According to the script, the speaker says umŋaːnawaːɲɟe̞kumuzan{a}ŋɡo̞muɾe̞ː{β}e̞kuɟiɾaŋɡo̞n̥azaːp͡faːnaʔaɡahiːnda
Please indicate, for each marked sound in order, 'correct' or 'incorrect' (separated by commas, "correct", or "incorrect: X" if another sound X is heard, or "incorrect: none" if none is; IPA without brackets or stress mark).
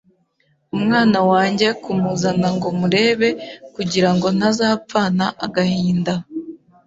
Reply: correct, correct